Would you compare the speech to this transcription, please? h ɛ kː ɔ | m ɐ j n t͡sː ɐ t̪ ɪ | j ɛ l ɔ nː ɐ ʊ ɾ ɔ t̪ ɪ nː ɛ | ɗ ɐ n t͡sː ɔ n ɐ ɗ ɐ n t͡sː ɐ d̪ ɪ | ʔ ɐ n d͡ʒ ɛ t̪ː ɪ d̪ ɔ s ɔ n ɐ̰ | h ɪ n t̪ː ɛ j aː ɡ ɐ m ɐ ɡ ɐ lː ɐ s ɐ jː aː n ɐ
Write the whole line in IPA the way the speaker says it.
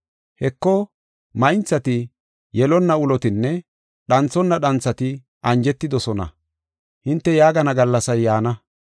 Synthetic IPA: h ɛ kː ɔ | m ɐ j n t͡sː ɐ t̪ ɪ | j ɛ l ɔ nː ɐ ʊ l ɔ t̪ ɪ nː ɛ | ɗ ɐ n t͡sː ɔ nː ɐ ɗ ɐ n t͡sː ɐ t̪ ɪ | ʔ ɐ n d͡ʒ ɛ t̪ː ɪ d̪ ɔ s ɔ n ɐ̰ | h ɪ n t̪ː ɛ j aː ɡ ɐ n ɐ ɡ ɐ lː ɐ s ɐ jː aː n ɐ

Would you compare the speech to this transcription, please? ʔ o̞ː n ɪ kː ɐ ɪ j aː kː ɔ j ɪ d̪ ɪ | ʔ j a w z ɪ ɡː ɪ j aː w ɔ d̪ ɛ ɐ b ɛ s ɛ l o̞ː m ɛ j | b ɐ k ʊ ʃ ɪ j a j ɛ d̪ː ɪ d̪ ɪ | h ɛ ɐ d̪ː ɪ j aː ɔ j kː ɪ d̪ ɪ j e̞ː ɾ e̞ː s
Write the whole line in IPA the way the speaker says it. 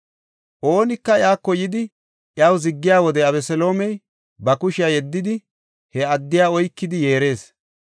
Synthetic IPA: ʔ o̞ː n ɪ kː ɐ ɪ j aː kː ɔ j ɪ d̪ ɪ | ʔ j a w z ɪ ɡː ɪ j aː w ɔ d̪ ɛ ɐ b ɛ s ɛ l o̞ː m ɛ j | b ɐ k ʊ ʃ ɪ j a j ɛ d̪ː ɪ d̪ ɪ | h ɛ ɐ d̪ː ɪ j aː ɔ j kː ɪ d̪ ɪ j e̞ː ɾ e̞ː s

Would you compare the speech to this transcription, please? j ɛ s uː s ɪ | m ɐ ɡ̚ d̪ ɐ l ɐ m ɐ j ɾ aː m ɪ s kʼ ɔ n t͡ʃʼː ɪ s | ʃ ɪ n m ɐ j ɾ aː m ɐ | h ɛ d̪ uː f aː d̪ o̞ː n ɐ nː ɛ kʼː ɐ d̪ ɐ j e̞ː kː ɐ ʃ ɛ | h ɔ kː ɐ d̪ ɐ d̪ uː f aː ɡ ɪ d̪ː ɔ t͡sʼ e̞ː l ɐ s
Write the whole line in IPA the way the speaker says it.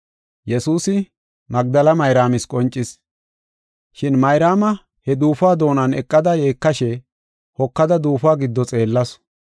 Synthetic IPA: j ɛ s uː s ɪ | m ɐ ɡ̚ d̪ ɐ l ɐ m ɐ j ɾ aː m ɪ s kʼ ɔ n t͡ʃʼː ɪ s | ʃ ɪ n m ɐ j ɾ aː m ɐ | h ɛ d̪ uː f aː d̪ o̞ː n ɐ n ɛ kʼː ɐ d̪ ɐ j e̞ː kː ɐ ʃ ɛ | h ɔ kː ɐ d̪ ɐ d̪ uː f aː ɡ ɪ d̪ː ɔ t͡sʼ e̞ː lː ɐ s

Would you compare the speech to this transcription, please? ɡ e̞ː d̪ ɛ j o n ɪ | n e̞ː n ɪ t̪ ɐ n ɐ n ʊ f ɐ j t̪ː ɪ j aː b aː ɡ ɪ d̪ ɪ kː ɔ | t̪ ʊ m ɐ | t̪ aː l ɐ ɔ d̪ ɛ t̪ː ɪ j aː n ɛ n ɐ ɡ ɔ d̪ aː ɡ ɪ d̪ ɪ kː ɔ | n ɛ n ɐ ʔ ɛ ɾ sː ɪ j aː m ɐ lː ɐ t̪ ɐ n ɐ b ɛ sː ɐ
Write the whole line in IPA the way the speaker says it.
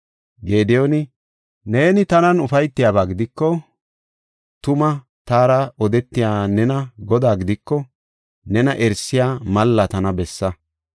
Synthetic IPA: ɡ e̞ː d̪ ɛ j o n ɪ | n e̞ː n ɪ t̪ ɐ n ɐ n ʊ f ɐ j t̪ː ɪ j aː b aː ɡ ɪ d̪ ɪ kː ɔ | t̪ ʊ m ɐ | t̪ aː ɾ ɐ ɔ d̪ ɛ t̪ː ɪ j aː n ɛ n ɐ ɡ ɔ d̪ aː ɡ ɪ d̪ ɪ kː ɔ | n ɛ n ɐ ʔ ɛ ɾ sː ɪ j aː m ɐ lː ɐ t̪ ɐ n ɐ b ɛ sː ɐ

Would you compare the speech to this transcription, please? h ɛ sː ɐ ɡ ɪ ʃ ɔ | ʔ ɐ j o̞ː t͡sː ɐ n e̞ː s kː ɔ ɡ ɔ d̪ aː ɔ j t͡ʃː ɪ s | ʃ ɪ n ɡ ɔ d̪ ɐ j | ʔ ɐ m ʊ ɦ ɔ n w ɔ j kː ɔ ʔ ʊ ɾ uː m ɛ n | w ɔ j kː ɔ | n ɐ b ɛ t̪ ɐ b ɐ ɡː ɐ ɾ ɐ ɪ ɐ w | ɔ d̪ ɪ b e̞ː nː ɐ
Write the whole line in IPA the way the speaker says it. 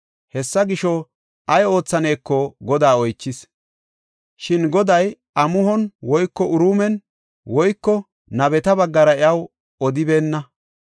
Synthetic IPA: h ɛ sː ɐ ɡ ɪ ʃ ɔ | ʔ ɐ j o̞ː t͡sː ɐ n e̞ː kː ɔ ɡ ɔ d̪ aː ɔ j t͡ʃː ɪ s | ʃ ɪ n ɡ ɔ d̪ ɐ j | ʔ ɐ m ʊ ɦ ɔ n w ɔ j kː ɔ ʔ ʊ ɾ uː m ɛ n | w ɔ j kː ɔ | n ɐ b ɛ t̪ ɐ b ɐ ɡː ɐ ɾ ɐ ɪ ɐ w | ɔ d̪ ɪ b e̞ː nː ɐ

